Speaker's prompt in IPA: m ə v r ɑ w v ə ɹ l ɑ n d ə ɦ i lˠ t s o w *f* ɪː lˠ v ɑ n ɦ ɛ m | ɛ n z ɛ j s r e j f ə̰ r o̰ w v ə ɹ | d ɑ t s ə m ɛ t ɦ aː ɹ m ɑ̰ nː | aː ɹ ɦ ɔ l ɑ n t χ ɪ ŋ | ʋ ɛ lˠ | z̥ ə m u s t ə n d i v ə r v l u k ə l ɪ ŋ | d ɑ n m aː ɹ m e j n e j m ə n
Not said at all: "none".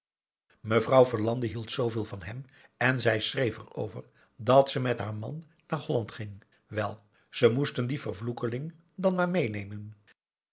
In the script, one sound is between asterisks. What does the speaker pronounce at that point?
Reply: v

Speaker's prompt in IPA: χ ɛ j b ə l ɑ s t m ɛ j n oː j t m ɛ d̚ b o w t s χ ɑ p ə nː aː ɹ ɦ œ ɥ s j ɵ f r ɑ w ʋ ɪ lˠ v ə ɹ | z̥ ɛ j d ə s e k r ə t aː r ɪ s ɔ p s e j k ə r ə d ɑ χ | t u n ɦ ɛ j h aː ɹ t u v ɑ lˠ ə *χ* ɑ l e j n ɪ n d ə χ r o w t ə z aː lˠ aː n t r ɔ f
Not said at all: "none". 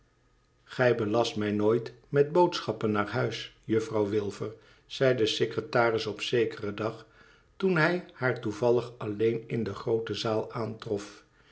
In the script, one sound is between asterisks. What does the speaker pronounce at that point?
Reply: χ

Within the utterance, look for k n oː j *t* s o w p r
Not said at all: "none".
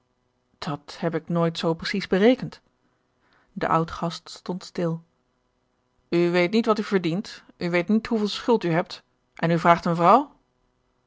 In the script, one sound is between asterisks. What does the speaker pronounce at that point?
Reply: t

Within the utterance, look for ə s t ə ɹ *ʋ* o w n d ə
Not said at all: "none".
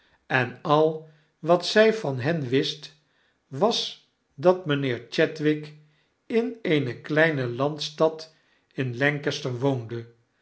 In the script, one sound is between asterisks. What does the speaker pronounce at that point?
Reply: ʋ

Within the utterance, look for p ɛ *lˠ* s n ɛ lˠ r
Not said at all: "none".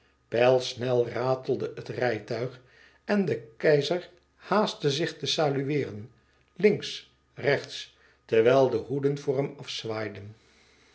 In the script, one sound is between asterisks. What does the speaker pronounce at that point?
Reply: lˠ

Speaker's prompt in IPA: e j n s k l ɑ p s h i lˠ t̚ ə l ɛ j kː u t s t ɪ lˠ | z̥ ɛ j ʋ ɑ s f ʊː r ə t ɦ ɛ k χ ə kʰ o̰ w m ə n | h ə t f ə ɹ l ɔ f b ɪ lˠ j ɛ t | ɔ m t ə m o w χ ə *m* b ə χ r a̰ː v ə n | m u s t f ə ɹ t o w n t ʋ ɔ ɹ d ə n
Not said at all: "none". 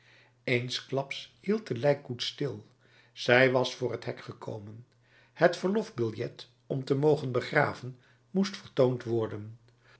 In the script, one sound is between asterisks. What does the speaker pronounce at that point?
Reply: n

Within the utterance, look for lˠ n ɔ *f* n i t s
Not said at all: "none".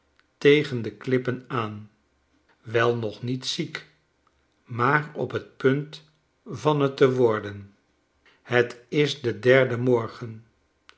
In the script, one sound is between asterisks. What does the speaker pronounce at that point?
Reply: χ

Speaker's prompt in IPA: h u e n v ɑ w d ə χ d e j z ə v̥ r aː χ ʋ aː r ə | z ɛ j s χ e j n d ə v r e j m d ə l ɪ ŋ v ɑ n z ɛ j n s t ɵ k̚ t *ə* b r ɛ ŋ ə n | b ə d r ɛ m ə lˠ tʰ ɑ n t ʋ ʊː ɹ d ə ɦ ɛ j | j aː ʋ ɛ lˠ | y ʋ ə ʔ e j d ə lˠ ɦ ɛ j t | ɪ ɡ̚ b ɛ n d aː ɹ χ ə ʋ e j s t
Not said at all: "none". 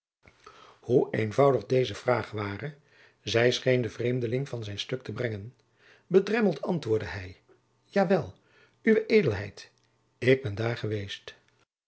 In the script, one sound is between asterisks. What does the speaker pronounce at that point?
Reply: ə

